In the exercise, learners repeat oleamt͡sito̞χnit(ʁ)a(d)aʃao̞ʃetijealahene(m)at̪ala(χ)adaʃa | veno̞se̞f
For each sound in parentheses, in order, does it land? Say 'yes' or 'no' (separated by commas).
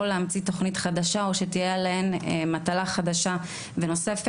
no, yes, yes, yes